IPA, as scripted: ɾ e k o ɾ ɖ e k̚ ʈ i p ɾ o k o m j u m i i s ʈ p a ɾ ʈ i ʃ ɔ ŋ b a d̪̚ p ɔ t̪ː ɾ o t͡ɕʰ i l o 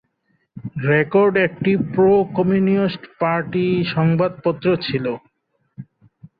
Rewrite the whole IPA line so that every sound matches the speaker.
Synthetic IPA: ɾ e k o ɾ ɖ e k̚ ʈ i p ɾ o k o m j u n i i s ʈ p a ɾ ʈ i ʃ ɔ ŋ b a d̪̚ p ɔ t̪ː ɾ o t͡ɕʰ i l o